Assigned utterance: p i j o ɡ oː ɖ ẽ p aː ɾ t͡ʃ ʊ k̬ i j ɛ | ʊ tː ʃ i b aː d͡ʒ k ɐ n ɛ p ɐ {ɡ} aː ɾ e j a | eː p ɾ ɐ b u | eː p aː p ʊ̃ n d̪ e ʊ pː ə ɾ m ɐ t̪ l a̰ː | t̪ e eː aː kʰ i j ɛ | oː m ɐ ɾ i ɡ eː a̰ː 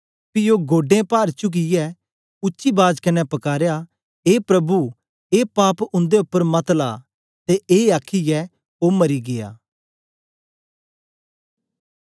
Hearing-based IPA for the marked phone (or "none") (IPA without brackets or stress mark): k